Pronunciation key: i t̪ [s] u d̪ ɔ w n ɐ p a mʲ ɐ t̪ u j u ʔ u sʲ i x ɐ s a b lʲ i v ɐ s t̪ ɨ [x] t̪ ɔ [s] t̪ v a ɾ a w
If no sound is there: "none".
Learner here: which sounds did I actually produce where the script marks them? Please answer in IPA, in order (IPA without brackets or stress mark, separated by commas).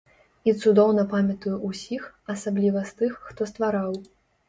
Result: s, xː, s